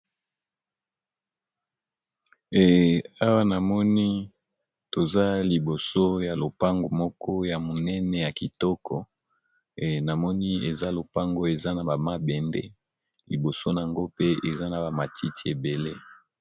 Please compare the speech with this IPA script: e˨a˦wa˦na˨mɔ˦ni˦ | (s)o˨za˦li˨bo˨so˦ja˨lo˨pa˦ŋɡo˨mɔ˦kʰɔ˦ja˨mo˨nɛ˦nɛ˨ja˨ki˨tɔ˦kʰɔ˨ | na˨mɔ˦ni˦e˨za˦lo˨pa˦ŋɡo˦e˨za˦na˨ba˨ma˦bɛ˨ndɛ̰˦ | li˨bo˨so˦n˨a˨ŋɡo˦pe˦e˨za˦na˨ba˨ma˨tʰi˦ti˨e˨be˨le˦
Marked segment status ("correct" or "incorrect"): incorrect